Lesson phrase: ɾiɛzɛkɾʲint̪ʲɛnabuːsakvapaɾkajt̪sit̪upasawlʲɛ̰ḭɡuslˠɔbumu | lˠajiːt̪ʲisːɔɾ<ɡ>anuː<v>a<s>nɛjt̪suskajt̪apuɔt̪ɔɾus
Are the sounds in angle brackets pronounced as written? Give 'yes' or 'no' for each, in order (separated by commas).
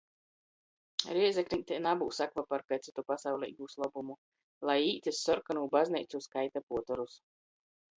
no, no, no